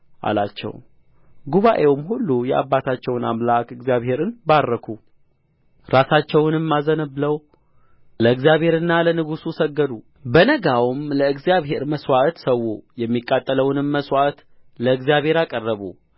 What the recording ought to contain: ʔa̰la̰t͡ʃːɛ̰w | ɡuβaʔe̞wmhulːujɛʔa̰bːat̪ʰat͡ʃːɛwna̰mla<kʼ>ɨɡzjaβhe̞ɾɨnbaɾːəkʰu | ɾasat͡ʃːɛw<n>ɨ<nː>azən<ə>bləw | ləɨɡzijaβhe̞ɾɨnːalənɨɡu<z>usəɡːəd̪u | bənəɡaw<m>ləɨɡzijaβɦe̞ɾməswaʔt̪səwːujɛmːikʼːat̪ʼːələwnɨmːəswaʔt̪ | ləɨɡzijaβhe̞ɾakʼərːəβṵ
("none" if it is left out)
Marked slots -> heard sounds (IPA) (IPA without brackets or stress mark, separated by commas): k, n, mː, ə, s, m